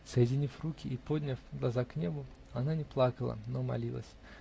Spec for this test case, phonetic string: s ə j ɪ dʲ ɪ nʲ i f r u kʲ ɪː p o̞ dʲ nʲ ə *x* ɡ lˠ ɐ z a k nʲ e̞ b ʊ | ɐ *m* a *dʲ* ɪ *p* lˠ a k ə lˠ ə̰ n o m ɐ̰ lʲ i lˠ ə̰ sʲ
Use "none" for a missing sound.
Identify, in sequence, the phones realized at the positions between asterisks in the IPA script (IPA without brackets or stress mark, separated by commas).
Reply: f, n, nʲ, p